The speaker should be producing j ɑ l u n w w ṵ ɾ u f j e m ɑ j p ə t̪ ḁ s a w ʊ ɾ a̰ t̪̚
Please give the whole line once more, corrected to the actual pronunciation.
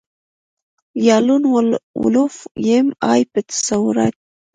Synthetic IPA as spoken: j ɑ l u n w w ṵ l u f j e m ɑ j p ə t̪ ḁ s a w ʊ ɾ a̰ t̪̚